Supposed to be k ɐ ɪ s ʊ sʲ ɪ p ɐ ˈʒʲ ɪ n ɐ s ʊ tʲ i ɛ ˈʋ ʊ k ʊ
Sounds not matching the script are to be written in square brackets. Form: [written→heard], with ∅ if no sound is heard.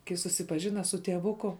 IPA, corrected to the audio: k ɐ ɪ s ʊ sʲ ɪ p ɐ ˈʒʲ ɪ n ɐ s ʊ tʲ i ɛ ˈʋ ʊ k ʊ